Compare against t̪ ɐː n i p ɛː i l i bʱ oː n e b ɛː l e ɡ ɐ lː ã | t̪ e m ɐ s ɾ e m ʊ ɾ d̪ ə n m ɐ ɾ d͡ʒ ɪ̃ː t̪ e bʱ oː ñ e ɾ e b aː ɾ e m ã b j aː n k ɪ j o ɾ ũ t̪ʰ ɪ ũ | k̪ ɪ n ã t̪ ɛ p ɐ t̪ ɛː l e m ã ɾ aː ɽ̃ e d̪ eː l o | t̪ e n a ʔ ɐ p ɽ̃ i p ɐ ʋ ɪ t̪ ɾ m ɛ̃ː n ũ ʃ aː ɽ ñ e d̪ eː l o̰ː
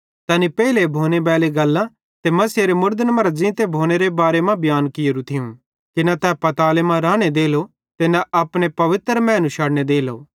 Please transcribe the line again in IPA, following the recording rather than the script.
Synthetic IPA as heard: t̪ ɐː n i p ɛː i l e bʱ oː n e b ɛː l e ɡ ɐ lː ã | t̪ e m ɐ s ɾ e m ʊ ɾ d̪ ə n m ɐ ɾ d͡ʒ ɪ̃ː t̪ e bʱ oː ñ e ɾ e b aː ɾ e m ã b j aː n k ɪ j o ɾ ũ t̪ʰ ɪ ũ | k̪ ɪ n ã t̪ ɛ p ɐ t̪ aː l e m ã ɾ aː ɽ̃ e d̪ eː l o | t̪ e n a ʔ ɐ p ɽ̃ e p ɐ ʋ ɪ t̪ ɾ m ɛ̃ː n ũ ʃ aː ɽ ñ e d̪ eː l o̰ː